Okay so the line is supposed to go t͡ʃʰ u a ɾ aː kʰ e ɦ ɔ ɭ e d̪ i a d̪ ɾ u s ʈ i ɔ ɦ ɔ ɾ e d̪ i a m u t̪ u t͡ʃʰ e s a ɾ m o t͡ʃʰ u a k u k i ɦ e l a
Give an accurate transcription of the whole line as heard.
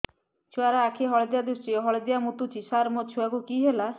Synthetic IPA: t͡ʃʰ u a ɾ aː kʰ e ɦ ɔ ɭ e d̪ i a d̪ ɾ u s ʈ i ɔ ɦ ɔ ɭ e d̪ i a m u t̪ u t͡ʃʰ i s a ɾ m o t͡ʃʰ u a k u k i ɦ e l a